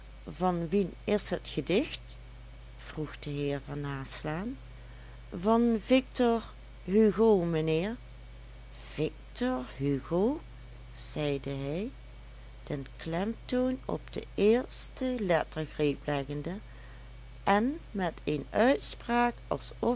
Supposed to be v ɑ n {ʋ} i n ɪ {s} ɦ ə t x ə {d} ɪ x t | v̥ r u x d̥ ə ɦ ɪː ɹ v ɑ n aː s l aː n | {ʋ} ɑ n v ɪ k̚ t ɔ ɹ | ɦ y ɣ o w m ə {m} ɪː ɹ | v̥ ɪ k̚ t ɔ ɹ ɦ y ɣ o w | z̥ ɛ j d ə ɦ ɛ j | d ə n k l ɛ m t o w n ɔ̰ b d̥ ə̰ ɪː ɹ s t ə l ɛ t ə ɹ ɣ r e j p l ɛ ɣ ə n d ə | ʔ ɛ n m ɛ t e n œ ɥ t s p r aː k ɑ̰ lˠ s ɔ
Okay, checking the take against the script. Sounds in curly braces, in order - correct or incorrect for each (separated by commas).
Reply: correct, correct, correct, incorrect, incorrect